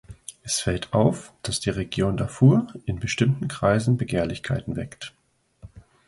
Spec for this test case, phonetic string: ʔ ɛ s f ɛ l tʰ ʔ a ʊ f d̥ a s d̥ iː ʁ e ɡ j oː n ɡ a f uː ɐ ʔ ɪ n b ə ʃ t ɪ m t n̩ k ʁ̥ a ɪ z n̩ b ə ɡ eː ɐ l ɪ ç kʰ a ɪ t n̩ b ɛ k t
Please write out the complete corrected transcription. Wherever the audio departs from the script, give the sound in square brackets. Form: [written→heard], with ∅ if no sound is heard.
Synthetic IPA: ʔ ɛ s f ɛ l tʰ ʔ a ʊ f d̥ a s d̥ iː ʁ e ɡ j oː n [ɡ→d] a f uː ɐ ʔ ɪ n b ə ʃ t ɪ m t n̩ k ʁ̥ a ɪ z n̩ b ə ɡ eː ɐ l ɪ ç kʰ a ɪ t n̩ [b→v] ɛ k t